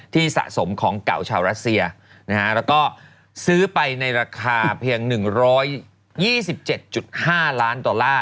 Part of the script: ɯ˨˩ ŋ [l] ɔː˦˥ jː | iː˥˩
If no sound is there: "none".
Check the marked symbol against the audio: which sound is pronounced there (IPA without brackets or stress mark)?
ɾ